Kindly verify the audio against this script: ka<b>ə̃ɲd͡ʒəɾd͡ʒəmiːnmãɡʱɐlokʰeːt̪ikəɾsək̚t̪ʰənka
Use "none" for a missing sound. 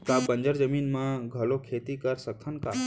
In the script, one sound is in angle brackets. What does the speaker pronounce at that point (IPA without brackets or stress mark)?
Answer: b